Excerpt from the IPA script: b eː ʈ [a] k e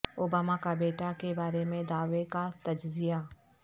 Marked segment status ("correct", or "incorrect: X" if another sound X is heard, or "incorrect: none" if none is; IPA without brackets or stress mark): correct